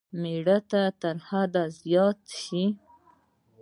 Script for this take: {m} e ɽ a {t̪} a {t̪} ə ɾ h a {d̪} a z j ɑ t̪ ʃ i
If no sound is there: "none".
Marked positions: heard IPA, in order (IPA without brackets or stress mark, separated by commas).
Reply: m, t̪, t̪, d̪